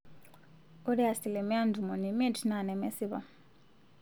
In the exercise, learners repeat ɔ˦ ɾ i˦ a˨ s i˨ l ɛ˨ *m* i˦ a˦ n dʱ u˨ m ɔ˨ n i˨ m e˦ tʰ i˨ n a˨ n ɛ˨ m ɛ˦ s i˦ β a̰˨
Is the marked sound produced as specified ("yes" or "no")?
yes